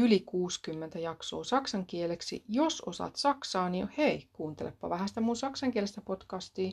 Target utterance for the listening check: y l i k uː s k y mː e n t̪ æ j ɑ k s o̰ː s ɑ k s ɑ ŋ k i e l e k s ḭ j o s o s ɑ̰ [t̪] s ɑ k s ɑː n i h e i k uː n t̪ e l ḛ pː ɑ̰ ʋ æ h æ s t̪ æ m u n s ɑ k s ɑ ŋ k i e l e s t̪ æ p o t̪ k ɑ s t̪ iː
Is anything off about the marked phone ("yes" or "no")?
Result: no